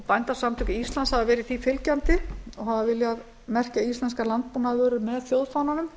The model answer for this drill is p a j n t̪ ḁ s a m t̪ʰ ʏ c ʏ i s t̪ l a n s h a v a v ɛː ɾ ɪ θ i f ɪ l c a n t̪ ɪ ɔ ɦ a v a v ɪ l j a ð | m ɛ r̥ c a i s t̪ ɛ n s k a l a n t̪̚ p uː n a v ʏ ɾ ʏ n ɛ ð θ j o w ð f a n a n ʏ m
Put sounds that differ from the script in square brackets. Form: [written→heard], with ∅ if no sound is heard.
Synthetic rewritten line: p a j n t̪ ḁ s a m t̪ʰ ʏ c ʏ i s t̪ l a n s h a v a v ɛː ɾ ɪ θ i f ɪ l c a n t̪ ɪ ɔ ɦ a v a v ɪ l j a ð | m ɛ r̥ c a i s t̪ ɛ n s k a l a n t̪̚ p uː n a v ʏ ɾ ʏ [n→m] ɛ ð θ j o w ð f a n a n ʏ m